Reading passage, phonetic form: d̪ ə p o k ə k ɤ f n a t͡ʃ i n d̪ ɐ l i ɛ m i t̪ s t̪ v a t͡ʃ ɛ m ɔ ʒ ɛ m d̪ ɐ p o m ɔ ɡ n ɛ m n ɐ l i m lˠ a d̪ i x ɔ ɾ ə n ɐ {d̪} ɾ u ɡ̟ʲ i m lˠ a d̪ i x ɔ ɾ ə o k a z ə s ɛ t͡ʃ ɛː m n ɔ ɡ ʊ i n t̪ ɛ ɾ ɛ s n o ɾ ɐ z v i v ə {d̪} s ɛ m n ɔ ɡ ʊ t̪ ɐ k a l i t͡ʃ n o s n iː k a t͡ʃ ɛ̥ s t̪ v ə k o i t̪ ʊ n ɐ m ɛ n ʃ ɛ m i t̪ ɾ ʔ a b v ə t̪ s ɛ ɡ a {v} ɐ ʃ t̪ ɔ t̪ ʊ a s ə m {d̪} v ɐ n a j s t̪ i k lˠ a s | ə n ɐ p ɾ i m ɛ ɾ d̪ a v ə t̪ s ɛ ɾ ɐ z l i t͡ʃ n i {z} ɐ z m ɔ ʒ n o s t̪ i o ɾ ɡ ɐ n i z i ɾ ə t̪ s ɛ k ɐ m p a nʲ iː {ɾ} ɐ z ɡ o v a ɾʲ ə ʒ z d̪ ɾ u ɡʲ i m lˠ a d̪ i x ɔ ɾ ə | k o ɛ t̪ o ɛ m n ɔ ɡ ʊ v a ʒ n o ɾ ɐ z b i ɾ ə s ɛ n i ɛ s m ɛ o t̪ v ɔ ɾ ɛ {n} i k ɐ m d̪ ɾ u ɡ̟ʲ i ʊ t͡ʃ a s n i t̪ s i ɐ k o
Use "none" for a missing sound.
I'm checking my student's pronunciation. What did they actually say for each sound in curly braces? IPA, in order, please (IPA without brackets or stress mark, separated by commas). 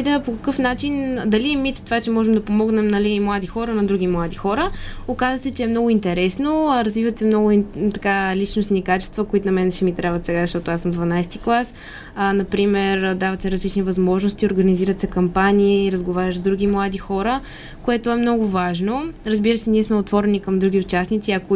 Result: d̪, t̪, z, d̪, v, ɾ, n